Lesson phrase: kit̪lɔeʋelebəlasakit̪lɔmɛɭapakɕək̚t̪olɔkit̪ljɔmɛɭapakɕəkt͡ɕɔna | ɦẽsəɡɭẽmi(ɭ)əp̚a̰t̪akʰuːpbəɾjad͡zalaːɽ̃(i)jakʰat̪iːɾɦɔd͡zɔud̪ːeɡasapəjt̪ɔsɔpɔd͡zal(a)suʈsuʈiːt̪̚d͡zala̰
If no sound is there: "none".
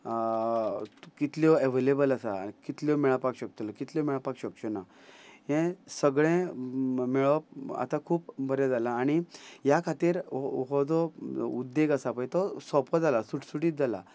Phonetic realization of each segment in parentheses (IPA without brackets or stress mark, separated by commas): ɭ, i, a